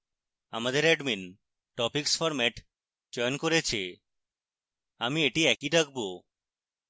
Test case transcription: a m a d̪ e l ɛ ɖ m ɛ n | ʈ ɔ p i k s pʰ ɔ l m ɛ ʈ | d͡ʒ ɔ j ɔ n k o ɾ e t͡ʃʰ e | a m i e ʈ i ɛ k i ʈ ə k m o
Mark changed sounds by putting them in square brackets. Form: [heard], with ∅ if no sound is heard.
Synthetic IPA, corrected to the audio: a m a d̪ e [ɾ] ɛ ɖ m [i] n | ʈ ɔ p i k s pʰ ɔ [ɾ] m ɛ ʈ | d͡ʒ ɔ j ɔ n k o ɾ e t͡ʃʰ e | a m i e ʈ i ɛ k i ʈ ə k [b] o